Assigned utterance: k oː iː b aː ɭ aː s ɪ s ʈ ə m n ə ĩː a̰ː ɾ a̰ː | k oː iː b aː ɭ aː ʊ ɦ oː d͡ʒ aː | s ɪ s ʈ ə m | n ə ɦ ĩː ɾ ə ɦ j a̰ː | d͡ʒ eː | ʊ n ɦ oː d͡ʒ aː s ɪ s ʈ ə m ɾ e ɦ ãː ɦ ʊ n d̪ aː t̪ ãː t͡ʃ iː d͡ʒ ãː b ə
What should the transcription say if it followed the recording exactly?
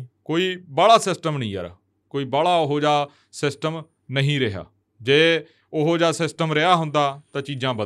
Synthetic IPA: k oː iː b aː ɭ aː s ɪ s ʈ ə m n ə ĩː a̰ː ɾ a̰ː | k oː iː b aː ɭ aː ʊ ɦ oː d͡ʒ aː | s ɪ s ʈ ə m | n ə ɦ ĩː ɾ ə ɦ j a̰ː | d͡ʒ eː | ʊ ɦ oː d͡ʒ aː s ɪ s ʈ ə m ɾ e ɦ aː ɦ ʊ n d̪ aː t̪ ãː t͡ʃ iː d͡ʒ ãː b ə